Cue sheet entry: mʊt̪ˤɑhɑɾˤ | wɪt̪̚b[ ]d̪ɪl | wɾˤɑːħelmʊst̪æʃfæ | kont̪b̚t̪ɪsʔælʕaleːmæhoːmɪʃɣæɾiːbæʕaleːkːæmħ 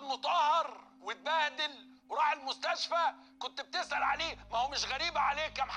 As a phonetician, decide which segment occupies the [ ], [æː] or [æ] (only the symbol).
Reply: æː